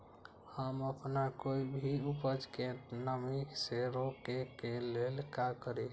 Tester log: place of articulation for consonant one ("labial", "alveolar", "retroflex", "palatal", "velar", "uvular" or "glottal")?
glottal